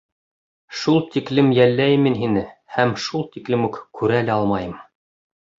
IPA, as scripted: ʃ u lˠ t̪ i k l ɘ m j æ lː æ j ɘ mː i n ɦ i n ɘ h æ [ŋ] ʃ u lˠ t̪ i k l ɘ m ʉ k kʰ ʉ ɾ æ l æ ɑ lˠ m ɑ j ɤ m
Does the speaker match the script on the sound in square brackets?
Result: no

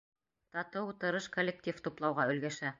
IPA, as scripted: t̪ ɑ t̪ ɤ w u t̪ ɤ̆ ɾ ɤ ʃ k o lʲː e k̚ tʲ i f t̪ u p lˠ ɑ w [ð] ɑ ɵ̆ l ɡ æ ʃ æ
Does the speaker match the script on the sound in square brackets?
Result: no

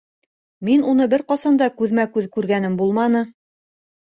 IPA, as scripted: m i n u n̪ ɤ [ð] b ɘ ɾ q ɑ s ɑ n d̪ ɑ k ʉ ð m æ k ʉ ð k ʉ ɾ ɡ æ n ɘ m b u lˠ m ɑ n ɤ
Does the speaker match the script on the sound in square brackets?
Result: no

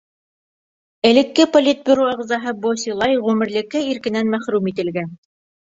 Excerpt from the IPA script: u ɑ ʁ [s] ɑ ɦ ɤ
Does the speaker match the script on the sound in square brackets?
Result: no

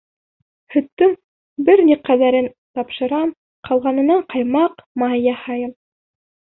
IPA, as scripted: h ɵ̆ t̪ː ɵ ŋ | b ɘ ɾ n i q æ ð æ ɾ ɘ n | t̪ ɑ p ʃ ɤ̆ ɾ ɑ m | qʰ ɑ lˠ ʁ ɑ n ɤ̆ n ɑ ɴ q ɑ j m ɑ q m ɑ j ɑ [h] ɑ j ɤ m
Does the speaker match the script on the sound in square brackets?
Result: yes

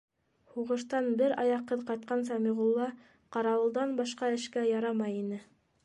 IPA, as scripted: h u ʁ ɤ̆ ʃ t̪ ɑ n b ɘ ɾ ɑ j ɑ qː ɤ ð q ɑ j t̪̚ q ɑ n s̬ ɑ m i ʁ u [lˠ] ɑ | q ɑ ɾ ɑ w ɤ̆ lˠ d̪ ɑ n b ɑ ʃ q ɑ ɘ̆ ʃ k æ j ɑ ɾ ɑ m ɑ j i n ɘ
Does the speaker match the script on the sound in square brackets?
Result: no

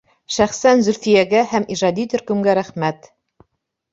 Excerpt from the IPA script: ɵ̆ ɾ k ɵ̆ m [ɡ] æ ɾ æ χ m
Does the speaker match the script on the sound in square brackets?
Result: yes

